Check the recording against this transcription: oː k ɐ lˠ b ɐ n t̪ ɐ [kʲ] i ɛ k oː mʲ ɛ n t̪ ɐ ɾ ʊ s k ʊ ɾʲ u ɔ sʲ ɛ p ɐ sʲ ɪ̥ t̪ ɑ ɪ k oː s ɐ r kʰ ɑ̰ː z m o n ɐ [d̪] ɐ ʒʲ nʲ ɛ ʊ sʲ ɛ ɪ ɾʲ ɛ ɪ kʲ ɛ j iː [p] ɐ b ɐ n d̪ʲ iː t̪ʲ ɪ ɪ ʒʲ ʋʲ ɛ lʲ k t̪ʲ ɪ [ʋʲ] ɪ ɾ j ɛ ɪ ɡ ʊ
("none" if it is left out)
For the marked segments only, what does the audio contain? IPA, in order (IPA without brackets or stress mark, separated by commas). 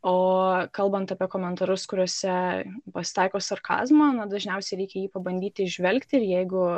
pʲ, d̪, p, none